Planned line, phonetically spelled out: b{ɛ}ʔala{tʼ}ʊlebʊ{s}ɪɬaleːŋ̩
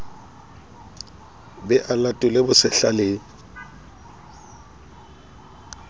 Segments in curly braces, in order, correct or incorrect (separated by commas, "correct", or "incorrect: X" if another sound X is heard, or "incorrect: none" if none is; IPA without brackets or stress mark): correct, correct, correct